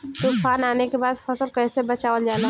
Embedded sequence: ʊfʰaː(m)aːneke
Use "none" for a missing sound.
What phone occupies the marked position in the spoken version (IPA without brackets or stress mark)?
n